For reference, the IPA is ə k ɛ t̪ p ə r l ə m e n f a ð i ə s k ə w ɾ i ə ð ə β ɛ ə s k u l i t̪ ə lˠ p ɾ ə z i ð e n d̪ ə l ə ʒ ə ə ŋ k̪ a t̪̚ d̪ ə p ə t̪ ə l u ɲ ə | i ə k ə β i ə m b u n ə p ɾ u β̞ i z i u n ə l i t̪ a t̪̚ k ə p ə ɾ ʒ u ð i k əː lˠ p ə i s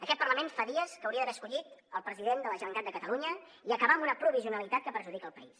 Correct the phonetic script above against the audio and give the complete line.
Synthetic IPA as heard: ə k ɛ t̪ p ə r l ə m e n f a ð i ə s k ə w ɾ i ə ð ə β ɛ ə s k u ʎ i t̪ ə lˠ p ɾ ə z i ð e n d̪ ə l ə ʒ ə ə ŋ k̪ a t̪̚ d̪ ə k ə t̪ ə l u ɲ ə | i ə k ə β a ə m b u n ə p ɾ u β̞ i z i u n ə l i t̪ a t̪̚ k ə p ə ɾ ʒ u ð i k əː lˠ p ə i s